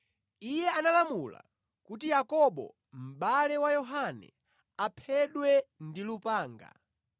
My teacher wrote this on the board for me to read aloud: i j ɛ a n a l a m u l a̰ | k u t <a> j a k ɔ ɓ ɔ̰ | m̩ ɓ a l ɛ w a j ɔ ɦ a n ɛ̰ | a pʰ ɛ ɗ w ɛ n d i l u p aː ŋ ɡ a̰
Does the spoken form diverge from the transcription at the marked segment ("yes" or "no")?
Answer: yes